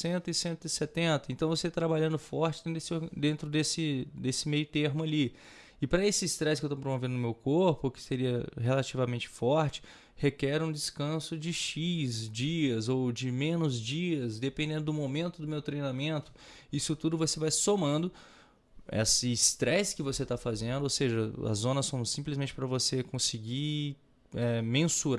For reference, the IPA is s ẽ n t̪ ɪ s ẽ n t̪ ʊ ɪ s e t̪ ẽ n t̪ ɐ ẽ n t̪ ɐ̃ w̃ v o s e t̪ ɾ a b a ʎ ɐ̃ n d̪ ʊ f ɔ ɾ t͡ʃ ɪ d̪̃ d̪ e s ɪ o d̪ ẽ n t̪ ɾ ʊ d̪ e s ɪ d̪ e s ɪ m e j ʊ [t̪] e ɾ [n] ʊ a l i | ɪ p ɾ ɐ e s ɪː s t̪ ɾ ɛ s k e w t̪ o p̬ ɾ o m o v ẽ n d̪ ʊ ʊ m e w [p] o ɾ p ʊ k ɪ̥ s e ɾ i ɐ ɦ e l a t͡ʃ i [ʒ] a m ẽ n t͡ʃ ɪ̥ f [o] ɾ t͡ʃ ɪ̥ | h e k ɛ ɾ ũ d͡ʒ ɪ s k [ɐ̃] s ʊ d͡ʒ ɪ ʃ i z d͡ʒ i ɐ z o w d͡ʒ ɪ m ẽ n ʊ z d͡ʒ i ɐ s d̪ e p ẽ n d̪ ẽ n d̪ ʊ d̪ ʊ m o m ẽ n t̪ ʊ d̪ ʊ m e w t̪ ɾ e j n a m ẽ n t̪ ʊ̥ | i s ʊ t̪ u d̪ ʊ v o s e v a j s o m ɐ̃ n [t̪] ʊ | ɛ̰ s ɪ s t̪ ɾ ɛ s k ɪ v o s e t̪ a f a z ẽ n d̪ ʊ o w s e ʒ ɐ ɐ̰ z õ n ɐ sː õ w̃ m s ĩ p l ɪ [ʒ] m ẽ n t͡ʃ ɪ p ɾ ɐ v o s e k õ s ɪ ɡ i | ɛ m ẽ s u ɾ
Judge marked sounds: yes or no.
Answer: yes, no, no, no, no, yes, no, no

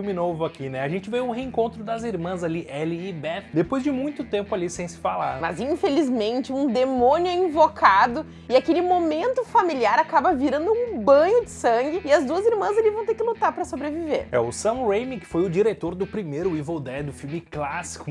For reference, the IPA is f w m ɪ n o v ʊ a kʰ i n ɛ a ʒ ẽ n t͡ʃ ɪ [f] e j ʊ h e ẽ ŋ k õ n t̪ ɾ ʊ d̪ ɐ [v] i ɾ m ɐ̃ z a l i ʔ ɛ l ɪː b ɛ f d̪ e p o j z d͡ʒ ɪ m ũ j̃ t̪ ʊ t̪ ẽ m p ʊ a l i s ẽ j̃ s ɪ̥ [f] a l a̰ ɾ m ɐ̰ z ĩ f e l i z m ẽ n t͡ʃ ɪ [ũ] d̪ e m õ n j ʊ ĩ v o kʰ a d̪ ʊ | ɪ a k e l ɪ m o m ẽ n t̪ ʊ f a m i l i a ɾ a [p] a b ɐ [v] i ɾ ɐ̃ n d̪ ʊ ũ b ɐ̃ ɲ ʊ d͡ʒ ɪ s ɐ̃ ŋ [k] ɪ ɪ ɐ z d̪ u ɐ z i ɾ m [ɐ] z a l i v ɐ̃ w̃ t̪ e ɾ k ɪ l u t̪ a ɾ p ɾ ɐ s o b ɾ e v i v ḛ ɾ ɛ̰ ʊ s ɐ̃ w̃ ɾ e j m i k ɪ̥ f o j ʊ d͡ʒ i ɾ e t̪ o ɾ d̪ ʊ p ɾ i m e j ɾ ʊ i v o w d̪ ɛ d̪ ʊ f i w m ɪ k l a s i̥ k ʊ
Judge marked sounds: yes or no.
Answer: no, no, yes, yes, no, yes, no, no

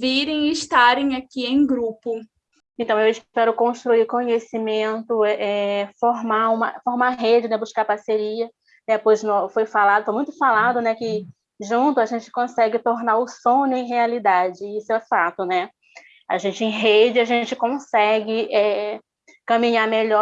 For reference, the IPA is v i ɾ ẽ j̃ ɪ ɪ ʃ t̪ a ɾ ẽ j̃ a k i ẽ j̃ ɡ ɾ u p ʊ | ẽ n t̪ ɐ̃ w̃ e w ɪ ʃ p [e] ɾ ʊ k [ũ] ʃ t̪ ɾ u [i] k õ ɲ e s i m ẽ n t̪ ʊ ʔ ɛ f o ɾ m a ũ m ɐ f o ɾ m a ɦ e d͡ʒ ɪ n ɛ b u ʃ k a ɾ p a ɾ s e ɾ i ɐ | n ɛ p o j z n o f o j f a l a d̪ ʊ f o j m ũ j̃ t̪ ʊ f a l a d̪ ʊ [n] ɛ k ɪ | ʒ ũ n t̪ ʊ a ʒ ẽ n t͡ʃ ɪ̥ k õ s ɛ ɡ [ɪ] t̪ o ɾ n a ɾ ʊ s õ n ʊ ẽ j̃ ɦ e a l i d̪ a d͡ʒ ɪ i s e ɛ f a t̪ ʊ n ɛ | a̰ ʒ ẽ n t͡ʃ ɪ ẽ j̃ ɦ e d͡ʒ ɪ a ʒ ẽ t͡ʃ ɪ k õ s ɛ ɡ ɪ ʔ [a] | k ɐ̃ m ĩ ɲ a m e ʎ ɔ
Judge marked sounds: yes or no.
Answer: no, no, yes, yes, yes, no

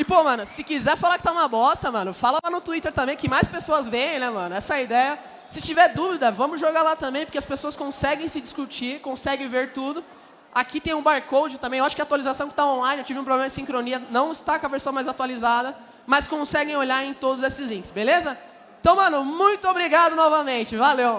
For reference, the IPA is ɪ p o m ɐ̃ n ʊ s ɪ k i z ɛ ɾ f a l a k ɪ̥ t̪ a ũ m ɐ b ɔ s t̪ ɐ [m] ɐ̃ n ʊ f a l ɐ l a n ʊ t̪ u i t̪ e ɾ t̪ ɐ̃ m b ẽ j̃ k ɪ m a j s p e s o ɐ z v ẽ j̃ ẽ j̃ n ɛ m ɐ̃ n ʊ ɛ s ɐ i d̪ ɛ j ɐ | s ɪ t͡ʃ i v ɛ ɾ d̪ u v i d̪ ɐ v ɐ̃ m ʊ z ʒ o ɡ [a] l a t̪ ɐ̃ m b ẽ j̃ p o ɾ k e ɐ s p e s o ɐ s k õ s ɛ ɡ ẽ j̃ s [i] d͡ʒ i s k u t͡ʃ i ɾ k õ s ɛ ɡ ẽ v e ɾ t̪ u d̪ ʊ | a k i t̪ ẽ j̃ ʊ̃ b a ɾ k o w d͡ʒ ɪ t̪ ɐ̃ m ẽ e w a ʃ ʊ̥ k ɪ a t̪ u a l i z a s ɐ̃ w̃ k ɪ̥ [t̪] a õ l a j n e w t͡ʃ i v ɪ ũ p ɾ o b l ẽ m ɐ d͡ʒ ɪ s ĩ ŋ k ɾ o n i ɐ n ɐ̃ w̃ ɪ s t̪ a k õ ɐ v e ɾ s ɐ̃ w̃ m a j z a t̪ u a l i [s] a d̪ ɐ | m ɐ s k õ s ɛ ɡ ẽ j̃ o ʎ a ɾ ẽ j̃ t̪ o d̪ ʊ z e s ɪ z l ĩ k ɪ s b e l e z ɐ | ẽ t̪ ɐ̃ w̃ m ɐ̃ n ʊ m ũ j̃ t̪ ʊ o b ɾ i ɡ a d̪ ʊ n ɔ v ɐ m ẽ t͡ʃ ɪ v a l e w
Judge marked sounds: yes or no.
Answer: yes, yes, no, yes, no

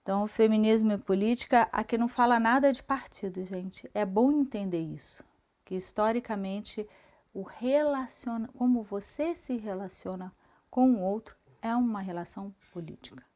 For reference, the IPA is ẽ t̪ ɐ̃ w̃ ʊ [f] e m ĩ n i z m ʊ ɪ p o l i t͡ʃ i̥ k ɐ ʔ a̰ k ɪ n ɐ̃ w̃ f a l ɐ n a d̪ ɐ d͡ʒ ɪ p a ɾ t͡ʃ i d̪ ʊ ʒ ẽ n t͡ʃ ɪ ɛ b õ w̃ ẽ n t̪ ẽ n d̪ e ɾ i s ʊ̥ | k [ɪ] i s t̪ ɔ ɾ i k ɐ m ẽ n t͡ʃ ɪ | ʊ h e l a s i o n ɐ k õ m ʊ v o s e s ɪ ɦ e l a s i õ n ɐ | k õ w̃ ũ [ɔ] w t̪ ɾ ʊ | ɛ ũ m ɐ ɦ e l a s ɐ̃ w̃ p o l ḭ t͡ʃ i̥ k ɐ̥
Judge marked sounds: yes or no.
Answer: yes, yes, no

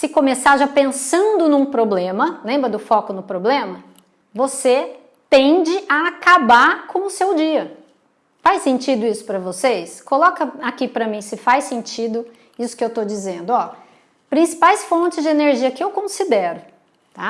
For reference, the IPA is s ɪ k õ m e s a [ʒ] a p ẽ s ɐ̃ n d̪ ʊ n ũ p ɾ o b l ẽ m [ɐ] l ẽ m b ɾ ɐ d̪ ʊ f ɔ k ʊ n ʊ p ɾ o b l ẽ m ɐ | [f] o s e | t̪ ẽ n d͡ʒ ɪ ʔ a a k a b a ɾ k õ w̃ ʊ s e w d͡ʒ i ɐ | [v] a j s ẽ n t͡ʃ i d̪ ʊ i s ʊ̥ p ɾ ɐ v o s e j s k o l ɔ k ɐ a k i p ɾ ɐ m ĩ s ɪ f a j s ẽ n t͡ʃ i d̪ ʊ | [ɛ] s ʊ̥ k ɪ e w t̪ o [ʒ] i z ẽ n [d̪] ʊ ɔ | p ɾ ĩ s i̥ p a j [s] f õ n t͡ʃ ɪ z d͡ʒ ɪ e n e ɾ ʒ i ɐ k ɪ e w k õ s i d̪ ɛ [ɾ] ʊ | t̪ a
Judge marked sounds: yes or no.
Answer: yes, yes, no, no, no, no, yes, yes, yes

